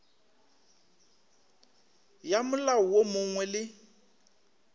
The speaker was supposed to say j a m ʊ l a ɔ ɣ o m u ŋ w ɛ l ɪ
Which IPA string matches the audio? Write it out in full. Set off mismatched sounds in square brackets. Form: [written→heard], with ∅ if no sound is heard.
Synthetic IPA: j a m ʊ l a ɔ [ɣ→w] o m [u→ʊ] ŋ w ɛ l ɪ